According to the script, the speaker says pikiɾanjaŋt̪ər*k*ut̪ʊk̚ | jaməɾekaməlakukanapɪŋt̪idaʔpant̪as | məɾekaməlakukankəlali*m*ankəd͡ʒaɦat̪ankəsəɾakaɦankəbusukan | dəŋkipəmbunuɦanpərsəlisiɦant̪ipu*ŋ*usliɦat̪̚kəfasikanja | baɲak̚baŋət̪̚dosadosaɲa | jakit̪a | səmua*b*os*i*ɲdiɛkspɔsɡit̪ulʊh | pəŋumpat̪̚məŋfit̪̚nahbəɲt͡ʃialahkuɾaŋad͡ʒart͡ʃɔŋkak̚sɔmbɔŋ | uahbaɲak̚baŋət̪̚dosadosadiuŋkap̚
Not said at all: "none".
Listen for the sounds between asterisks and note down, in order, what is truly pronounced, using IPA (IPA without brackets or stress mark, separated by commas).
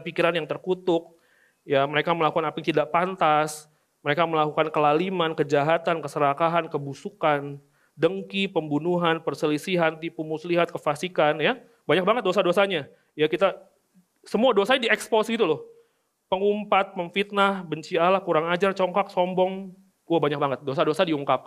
k, m, m, d, a